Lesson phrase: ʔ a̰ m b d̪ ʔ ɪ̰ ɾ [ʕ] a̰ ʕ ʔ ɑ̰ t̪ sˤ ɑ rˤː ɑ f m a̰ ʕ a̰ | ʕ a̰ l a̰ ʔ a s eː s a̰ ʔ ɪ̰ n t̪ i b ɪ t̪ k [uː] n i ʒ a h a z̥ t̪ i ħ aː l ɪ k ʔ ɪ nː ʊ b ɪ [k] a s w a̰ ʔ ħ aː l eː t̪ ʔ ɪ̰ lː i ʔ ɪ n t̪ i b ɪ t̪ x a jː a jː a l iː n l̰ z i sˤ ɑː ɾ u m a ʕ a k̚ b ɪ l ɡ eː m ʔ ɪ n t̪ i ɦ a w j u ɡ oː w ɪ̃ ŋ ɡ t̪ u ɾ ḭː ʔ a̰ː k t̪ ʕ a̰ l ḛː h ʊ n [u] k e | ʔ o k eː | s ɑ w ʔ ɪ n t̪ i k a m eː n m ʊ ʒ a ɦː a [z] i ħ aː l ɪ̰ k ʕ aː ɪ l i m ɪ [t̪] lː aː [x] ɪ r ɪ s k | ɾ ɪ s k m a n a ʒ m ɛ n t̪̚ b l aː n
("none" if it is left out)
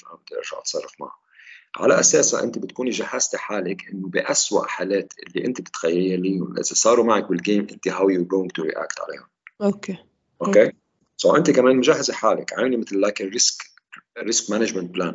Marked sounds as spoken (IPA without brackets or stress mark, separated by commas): ʒ, uː, ʔ, o, z, t̪, k